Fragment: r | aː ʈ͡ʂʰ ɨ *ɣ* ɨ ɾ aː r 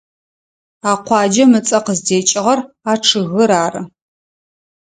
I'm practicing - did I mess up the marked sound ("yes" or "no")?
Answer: no